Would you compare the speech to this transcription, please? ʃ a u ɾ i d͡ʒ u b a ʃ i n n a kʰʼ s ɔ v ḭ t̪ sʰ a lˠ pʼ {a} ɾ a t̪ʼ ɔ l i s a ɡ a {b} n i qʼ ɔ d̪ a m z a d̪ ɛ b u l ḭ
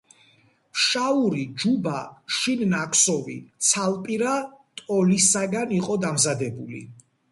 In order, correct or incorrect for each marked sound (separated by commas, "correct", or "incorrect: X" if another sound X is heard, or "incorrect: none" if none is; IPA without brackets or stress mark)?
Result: incorrect: i, incorrect: none